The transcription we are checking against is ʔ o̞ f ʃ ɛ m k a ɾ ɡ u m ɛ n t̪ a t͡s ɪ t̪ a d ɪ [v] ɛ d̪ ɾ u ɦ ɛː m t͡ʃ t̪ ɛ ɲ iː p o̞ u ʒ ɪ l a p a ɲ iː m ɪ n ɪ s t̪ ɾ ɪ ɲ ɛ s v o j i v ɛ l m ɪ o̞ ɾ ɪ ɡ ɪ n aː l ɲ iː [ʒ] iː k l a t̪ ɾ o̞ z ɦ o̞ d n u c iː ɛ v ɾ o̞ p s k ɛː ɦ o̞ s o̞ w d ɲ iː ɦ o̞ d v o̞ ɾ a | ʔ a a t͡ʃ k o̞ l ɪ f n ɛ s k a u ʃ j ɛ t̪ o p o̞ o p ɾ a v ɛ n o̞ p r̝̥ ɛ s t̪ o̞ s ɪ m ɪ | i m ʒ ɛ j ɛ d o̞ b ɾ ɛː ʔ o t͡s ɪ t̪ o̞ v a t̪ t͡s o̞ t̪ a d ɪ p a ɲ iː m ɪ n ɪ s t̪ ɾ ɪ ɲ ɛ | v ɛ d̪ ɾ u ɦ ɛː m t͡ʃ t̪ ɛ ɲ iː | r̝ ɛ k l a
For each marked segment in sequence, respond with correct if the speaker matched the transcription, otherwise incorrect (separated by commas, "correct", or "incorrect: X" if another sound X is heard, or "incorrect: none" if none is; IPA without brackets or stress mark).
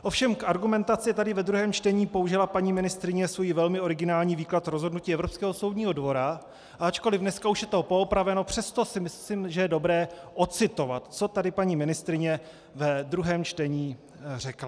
correct, incorrect: v